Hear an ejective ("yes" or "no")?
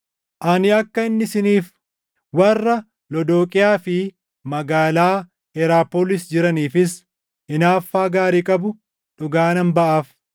yes